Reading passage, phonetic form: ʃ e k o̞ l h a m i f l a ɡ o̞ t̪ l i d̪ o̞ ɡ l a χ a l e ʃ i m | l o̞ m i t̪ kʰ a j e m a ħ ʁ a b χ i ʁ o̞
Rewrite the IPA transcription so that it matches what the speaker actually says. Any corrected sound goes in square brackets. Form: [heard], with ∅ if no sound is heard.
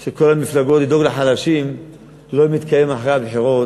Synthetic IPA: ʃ e k o̞ l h a m i f l a ɡ o̞ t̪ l i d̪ o̞ ɡ l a [ħ] a l [a] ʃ i m | l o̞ m i t̪ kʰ a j e m a ħ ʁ a b [ħ] i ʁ o̞